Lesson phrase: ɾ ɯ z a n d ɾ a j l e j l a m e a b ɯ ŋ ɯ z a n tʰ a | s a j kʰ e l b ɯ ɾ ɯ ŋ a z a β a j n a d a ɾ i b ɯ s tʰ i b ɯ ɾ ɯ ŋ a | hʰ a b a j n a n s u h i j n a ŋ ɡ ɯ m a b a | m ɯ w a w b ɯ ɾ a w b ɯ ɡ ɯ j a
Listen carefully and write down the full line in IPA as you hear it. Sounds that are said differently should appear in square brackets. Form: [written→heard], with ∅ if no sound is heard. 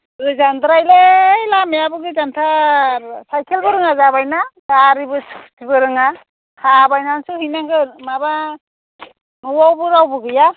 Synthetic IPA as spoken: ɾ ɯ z a n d ɾ a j l e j l a m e a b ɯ [ŋ→ɡ] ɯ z a n tʰ a | s a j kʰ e l b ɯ ɾ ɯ ŋ a z a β a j n a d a ɾ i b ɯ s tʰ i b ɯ ɾ ɯ ŋ a | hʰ a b a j n a n s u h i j n a ŋ ɡ ɯ m a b a | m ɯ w a w b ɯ ɾ a w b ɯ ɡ ɯ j a